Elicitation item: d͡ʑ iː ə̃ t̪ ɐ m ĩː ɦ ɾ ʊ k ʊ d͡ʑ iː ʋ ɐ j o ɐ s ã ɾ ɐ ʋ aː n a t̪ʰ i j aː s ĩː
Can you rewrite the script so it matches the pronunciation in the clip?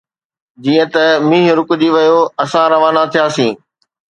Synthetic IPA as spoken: d͡ʑ iː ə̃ t̪ ɐ m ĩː ɦ ɾ ʊ k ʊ d͡ʑ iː ʋ ɐ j o ɐ s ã ɾ ɐ ʋ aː n a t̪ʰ i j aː s ĩː